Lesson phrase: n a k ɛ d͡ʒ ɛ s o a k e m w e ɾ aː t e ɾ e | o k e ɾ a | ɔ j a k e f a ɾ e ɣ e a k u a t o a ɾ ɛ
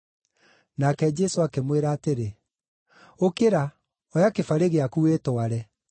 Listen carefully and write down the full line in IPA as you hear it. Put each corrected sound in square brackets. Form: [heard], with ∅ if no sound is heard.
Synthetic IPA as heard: n a k ɛ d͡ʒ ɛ s o a k e m w e ɾ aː t e ɾ e | o k e ɾ a | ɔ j a k e f a ɾ e ɣ e a k u [e] t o a ɾ ɛ